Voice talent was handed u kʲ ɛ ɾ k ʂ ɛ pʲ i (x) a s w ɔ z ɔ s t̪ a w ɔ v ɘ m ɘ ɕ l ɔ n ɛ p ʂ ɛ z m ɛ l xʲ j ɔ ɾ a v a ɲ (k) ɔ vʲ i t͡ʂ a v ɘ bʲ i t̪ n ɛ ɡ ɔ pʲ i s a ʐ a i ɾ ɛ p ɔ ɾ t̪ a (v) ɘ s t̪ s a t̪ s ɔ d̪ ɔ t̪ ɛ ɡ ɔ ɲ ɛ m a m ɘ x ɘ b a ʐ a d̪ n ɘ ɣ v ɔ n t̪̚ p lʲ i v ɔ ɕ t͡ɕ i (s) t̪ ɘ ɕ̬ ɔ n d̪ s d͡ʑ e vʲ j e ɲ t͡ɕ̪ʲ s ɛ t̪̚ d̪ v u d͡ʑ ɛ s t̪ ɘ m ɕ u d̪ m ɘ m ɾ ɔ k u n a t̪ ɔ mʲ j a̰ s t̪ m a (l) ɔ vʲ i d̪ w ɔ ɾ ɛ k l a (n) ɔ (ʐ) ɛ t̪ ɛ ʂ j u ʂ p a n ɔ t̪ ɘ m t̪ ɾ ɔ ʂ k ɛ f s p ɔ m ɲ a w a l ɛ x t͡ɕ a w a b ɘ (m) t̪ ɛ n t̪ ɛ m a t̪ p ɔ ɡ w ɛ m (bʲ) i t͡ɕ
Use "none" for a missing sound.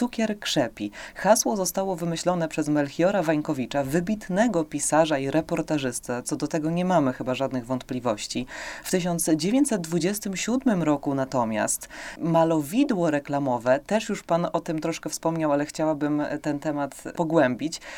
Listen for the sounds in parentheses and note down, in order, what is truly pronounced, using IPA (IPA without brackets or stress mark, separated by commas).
x, k, ʐ, f, l, m, v, m, bʲ